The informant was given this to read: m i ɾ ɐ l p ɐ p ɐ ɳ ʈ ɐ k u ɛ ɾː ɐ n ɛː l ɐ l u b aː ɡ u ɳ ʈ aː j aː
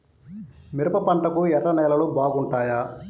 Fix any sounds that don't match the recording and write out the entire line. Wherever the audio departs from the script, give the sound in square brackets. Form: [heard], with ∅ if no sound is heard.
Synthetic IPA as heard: m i ɾ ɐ [∅] p ɐ p ɐ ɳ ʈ ɐ k u ɛ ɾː ɐ n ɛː l ɐ l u b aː ɡ u ɳ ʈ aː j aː